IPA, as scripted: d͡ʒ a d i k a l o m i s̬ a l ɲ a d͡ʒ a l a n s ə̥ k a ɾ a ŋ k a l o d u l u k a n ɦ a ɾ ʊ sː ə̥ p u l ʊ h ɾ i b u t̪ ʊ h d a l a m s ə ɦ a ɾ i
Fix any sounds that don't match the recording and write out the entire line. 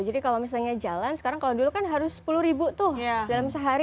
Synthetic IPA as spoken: d͡ʒ a d i k a l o m i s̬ a l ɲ a d͡ʒ a l a n s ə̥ k a ɾ a ŋ k a l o d u l u k a n ɦ a ɾ ʊ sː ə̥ p u l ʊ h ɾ i b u t̪ ʊ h d a l a m s ə ɦ a ɾ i